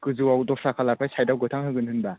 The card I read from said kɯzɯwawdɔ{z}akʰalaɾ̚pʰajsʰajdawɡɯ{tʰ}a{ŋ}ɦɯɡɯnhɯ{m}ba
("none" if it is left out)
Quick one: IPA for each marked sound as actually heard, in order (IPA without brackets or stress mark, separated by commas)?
s, tʰ, ŋ, n